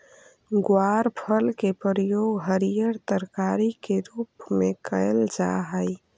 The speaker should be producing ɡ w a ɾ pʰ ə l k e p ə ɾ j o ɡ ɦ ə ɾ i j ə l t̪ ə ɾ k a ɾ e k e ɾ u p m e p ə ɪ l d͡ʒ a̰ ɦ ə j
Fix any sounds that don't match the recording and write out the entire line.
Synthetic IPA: ɡ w a ɾ pʰ ə l k e p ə ɾ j o ɡ ɦ ə ɾ i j ə ɾ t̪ ə ɾ k a ɾ i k e ɾ u p m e k ə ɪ l d͡ʒ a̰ ɦ ə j

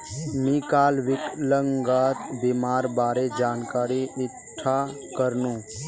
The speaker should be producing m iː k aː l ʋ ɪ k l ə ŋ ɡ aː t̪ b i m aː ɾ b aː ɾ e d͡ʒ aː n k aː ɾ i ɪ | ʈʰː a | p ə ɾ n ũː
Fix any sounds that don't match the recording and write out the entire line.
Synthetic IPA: m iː k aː l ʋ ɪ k l ə ŋ ɡ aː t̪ b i m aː ɾ b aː ɾ e d͡ʒ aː n k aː ɾ i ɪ | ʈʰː a | k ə ɾ n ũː

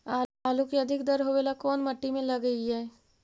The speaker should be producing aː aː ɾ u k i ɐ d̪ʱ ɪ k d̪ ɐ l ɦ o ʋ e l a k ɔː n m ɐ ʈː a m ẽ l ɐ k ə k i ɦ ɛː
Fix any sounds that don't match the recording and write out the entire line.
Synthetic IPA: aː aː l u k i ɐ d̪ʱ ɪ k d̪ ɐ ɾ ɦ o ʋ e l a k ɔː n m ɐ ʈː i m ẽ l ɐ ɡ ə i ɦ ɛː

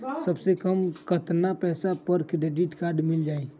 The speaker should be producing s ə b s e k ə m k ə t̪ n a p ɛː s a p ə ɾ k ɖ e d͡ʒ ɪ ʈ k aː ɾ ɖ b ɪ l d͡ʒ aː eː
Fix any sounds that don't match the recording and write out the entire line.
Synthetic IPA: s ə b s e k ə m k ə t̪ n a p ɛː s a p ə ɾ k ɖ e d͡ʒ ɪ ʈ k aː ɾ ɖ m ɪ l d͡ʒ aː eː

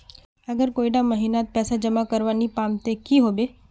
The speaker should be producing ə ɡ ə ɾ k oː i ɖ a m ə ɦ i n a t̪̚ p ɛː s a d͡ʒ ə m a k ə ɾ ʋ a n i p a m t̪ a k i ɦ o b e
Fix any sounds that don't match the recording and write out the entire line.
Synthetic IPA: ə ɡ ə ɾ k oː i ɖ a m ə ɦ i n a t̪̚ p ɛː s a d͡ʒ ə m a k ə ɾ ʋ a n i p a m t̪ e k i ɦ o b e

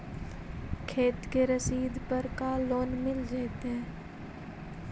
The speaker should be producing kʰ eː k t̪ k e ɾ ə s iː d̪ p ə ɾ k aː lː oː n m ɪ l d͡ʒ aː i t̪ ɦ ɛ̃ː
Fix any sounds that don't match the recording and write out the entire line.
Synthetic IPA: kʰ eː t̪ k e ɾ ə s iː d̪ p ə ɾ k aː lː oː n m ɪ l d͡ʒ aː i t̪ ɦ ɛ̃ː

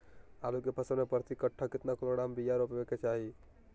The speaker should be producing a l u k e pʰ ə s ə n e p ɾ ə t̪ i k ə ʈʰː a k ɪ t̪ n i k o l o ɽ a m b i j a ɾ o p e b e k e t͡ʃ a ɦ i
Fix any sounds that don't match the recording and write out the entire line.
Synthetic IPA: a l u k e pʰ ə s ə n e p ɾ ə t̪ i k ə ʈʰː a k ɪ t̪ n a k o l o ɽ a m b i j a ɾ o p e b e k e t͡ʃ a ɦ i

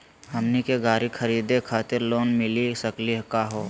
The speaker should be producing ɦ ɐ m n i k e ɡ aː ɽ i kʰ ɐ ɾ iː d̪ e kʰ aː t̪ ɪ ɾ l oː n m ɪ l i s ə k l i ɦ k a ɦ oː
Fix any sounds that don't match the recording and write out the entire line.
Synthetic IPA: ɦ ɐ m n i k e ɡ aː ɾ i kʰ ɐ ɾ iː d̪ e kʰ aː t̪ ɪ ɾ l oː n m ɪ l i s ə k l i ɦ k a ɦ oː

